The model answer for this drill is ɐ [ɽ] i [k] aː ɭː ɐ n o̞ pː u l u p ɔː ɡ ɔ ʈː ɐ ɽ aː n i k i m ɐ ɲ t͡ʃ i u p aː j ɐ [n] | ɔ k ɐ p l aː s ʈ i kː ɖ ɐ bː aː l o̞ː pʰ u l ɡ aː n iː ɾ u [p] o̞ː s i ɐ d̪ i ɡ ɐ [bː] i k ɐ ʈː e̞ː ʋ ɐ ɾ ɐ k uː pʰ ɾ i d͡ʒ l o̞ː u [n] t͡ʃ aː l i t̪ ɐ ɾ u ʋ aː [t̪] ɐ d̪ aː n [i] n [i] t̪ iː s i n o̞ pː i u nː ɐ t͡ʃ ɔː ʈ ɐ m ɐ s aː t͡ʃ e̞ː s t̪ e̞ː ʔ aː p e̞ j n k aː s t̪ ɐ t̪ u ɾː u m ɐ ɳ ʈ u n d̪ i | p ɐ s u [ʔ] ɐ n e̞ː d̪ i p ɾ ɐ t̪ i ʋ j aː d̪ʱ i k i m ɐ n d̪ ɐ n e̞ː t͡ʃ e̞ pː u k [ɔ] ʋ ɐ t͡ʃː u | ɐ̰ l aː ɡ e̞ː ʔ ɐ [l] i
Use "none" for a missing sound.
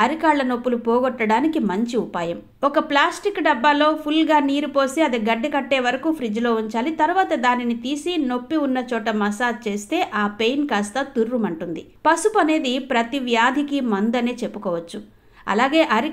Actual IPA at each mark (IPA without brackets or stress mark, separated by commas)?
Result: ɾ, k, m, p, ɖː, ɲ, t̪, i, i, p, ɔː, ɾ